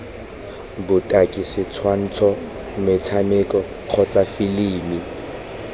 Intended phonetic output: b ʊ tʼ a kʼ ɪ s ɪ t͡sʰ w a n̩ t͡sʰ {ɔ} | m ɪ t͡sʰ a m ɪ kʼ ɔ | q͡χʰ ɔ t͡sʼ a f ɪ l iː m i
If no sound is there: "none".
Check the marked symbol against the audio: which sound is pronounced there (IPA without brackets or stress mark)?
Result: ɔ